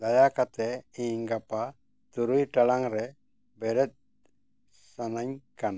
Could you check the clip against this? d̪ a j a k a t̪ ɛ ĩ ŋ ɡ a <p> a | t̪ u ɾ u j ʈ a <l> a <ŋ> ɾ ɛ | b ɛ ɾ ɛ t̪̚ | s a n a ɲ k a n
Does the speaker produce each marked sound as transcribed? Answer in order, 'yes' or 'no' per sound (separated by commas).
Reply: yes, yes, yes